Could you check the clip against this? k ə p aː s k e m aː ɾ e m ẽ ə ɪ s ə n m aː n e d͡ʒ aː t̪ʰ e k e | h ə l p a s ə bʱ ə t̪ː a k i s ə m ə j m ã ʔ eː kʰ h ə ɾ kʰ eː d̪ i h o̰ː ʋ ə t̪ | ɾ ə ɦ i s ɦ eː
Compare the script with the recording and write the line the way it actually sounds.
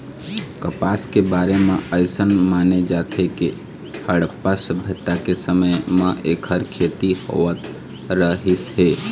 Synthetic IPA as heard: k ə p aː s k e b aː ɾ e m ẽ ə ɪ s ə n m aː n e d͡ʒ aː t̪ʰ e k e | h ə ɽ p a s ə bʱ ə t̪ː a k e s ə m ə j m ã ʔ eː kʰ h ə ɾ kʰ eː t̪ i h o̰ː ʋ ə t̪ | ɾ ə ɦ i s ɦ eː